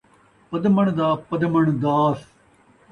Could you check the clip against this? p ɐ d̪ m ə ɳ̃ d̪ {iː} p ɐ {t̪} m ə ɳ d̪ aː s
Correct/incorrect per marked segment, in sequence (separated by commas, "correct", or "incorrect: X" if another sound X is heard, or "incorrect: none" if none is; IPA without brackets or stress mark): incorrect: aː, incorrect: d̪